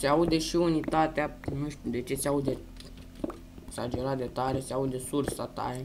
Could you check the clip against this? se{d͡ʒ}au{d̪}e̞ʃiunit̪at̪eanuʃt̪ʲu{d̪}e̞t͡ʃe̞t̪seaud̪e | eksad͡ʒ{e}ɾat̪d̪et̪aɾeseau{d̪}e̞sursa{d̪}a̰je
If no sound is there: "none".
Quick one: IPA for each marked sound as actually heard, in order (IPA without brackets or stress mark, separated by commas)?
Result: none, d̪, d̪, e, d̪, t̪